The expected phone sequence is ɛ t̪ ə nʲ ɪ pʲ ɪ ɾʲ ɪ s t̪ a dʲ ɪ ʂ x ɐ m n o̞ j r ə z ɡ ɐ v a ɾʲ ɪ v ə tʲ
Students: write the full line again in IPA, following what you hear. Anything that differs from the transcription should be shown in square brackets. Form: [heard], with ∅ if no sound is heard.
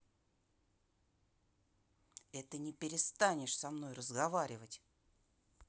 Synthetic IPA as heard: ɛ t̪ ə nʲ ɪ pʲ ɪ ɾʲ ɪ s t̪ a [nʲ] ɪ ʂ [s] ɐ m n o̞ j r ə z ɡ ɐ v a ɾʲ ɪ v ə tʲ